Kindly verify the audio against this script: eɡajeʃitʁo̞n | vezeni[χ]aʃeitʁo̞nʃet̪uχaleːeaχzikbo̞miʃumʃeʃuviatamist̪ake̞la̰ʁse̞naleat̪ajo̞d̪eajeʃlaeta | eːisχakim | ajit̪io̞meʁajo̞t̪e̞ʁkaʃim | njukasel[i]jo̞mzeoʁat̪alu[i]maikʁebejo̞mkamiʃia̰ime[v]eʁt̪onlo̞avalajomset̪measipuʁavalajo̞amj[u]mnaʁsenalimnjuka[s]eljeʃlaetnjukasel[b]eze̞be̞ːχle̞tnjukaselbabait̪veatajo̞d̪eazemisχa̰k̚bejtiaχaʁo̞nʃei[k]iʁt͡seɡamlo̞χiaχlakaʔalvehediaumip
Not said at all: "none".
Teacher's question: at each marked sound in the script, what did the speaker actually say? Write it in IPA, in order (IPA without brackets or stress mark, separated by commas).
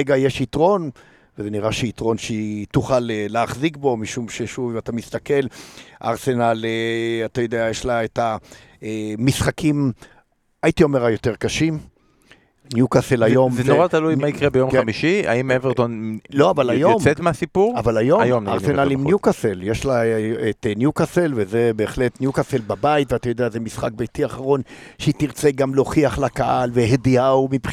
ʁ, a, j, v, o, s, v, t